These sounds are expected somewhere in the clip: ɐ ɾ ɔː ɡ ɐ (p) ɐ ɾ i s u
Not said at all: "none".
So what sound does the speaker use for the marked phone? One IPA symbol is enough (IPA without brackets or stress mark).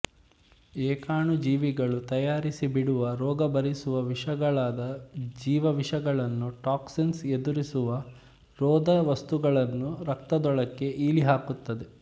b